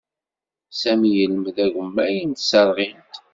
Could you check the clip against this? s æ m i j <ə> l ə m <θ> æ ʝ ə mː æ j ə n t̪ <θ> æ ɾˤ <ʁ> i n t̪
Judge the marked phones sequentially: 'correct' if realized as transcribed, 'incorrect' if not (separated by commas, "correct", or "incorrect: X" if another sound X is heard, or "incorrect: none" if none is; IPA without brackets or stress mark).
correct, incorrect: ð, incorrect: s, correct